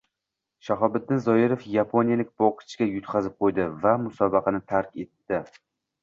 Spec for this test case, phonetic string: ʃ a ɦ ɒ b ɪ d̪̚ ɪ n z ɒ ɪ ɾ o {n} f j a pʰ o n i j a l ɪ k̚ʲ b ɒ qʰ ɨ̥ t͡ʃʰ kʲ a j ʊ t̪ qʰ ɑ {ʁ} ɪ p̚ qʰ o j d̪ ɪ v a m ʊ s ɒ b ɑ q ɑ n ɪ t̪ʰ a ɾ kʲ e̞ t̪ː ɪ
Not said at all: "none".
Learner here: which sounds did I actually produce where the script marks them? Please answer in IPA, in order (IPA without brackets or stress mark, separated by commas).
none, z